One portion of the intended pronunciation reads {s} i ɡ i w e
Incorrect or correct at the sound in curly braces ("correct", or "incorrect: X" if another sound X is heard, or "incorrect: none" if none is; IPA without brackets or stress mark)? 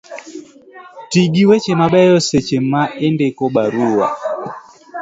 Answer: incorrect: t